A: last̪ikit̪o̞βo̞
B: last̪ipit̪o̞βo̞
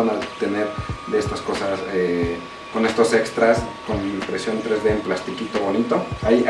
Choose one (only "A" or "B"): A